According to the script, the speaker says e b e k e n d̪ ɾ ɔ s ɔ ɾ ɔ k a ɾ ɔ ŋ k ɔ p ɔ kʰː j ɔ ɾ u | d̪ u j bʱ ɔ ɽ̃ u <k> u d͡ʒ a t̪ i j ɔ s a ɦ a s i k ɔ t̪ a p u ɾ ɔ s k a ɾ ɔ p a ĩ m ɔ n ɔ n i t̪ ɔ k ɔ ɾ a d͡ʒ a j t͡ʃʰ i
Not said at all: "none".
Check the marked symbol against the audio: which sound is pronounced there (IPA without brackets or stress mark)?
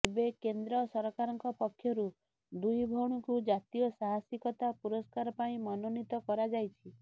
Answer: k